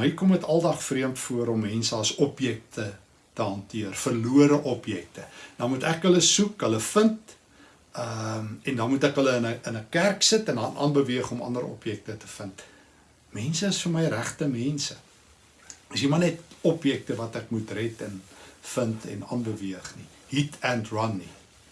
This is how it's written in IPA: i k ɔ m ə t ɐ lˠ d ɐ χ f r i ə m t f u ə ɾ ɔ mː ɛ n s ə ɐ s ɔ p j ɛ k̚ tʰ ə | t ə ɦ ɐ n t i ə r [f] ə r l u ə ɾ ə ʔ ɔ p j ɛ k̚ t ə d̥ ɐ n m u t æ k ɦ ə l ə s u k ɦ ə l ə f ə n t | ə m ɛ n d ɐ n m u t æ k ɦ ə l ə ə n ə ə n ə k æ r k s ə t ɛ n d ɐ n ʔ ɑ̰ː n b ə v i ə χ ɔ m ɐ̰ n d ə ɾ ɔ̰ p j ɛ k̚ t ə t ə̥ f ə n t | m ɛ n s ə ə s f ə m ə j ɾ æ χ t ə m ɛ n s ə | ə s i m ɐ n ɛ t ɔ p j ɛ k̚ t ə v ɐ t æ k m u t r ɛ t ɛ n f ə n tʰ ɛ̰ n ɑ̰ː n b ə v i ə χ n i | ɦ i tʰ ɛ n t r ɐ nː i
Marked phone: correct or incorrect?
correct